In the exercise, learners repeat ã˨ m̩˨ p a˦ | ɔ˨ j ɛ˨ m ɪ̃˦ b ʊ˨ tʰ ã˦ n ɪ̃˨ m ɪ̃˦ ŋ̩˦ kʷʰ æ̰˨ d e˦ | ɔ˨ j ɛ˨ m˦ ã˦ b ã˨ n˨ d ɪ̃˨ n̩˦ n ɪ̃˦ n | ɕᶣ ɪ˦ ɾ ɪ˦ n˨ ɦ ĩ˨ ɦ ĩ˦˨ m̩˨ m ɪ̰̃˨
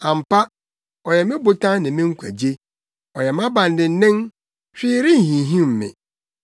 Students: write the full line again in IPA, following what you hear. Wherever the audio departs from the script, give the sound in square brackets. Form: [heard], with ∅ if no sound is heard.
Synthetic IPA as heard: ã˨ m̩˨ p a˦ | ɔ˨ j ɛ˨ m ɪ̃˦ b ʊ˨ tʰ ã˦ n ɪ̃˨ m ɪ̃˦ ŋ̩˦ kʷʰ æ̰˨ [d͡ʑ] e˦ | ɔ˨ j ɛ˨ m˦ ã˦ b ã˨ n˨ d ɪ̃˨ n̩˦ n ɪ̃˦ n | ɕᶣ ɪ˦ ɾ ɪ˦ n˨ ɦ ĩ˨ ɦ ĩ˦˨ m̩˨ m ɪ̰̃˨

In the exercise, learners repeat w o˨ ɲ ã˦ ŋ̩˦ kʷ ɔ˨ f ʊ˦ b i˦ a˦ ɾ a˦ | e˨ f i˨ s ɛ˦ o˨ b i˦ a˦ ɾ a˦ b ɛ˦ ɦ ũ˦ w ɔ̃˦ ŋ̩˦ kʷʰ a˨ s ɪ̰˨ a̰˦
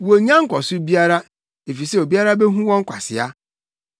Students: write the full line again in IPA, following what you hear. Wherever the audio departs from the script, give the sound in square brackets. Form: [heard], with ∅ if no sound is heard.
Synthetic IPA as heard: w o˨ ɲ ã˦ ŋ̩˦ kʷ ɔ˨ [s] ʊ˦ b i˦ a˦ ɾ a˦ | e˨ f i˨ s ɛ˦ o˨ b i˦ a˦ ɾ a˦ b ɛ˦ ɦ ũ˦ w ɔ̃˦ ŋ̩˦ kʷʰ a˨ s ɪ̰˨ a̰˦

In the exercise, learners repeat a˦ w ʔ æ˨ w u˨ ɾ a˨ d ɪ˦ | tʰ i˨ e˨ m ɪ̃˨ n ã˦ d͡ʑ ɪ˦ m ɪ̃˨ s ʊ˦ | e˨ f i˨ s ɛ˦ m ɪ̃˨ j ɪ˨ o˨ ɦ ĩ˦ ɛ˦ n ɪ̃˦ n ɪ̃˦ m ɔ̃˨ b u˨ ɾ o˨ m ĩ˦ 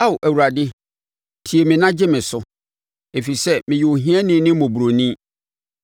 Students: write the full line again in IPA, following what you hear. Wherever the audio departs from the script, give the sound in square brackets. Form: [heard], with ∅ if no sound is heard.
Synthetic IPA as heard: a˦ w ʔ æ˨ w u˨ ɾ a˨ d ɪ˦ | tʰ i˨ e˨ m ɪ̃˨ n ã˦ d͡ʑ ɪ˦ m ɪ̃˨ s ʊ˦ | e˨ f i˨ s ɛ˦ m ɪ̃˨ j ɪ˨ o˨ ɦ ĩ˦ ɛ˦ n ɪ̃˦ n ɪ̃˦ m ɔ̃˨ b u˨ ɾ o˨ [n] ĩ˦

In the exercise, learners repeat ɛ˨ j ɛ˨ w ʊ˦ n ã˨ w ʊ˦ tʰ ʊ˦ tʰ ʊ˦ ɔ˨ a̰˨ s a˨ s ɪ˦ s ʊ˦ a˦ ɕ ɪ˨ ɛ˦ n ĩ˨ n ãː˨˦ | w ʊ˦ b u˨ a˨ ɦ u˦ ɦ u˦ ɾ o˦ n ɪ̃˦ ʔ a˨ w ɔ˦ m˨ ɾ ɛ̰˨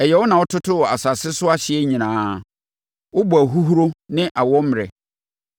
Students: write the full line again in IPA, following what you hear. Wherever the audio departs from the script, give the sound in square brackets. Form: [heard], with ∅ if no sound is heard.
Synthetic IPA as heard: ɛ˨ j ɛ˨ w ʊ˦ n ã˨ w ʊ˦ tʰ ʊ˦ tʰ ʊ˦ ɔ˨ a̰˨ s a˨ s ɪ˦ s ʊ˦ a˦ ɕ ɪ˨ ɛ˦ [ɲ] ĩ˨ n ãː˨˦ | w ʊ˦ b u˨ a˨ ɦ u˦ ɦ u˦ ɾ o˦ n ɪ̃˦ ʔ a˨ w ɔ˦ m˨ ɾ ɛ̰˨

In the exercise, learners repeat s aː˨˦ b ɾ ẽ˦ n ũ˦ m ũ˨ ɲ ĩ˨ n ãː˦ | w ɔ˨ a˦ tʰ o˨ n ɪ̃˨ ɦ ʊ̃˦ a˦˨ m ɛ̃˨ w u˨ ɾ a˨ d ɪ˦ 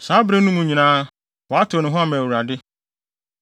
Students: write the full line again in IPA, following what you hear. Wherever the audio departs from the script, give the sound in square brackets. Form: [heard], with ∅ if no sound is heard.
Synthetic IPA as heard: s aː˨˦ b ɾ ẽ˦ n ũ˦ m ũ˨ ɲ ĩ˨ n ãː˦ | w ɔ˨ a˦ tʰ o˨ n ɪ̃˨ ɦ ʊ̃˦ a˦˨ m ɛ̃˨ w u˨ ɾ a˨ d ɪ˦

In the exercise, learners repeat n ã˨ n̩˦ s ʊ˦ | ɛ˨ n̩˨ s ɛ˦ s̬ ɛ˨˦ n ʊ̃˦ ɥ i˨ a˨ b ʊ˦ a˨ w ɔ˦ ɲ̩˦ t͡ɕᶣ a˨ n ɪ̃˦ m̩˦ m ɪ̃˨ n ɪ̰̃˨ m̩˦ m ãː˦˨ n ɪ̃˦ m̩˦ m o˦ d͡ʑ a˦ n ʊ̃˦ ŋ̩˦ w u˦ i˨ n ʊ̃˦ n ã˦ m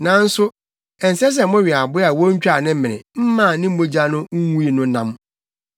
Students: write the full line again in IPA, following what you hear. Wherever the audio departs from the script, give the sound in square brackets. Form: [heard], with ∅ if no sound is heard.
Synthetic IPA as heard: n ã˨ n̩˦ s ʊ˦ | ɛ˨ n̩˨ s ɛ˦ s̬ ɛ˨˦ [m] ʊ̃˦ ɥ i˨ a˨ b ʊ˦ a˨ w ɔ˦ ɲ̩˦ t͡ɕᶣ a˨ n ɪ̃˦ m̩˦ m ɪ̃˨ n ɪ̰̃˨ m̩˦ m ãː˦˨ n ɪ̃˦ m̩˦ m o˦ d͡ʑ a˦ n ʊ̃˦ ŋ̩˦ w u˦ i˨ n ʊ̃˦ n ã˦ m

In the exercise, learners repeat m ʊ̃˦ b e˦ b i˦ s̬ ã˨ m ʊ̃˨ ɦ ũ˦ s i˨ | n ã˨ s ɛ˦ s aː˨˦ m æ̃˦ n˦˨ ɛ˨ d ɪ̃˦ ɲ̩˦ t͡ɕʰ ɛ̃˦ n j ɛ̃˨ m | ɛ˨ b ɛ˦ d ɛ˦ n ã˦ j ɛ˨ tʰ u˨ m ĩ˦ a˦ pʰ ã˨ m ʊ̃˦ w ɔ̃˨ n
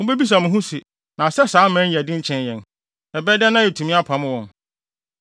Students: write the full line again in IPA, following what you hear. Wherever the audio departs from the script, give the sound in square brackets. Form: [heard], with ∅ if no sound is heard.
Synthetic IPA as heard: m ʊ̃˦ b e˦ b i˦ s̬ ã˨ m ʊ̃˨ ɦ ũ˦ s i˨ | n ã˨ s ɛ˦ s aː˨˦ m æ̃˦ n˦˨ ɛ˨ d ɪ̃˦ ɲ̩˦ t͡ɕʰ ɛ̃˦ n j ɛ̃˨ [n] | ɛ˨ b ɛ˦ d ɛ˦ n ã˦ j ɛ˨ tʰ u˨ m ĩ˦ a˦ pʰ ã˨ m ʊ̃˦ w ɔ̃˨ n

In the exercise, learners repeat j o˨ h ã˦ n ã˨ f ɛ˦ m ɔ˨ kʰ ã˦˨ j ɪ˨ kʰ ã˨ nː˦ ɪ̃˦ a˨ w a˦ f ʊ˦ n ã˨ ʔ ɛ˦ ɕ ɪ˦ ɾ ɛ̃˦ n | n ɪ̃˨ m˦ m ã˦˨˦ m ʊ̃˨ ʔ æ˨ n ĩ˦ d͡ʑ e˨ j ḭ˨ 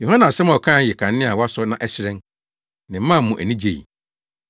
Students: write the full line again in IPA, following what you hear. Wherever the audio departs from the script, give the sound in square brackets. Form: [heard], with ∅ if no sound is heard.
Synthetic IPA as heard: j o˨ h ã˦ n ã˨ [s] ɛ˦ m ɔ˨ kʰ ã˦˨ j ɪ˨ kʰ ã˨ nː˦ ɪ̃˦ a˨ w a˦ [s] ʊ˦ n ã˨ ʔ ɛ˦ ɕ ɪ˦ ɾ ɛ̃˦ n | n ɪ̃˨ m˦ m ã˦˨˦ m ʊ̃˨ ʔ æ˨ n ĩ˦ d͡ʑ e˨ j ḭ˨

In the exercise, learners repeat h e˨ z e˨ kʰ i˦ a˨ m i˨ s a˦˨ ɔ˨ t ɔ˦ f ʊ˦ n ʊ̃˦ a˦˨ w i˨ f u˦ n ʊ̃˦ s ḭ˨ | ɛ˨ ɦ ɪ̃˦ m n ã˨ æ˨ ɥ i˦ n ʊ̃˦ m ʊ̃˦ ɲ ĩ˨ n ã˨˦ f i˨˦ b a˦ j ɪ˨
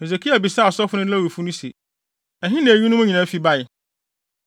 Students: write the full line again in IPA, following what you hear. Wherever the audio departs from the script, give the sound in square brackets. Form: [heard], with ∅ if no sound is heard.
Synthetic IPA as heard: h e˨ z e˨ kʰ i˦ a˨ [b] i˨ s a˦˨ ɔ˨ [s] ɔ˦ f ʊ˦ n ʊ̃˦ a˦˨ w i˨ f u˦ n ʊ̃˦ s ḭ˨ | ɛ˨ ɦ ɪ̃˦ [∅] n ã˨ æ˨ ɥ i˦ n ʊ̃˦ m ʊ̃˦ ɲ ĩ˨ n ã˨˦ f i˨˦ b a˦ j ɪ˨

